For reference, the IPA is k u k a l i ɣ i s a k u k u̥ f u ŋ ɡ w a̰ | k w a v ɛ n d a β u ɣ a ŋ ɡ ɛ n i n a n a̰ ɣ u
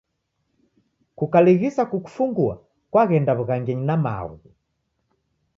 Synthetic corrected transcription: k u k a l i ɣ i s a k u k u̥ f u ŋ ɡ u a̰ | k w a ɣ ɛ n d a β u ɣ a ŋ ɡ ɛ ɲ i n a m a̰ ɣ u